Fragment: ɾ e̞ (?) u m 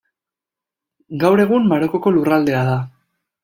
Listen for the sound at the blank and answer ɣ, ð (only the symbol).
ɣ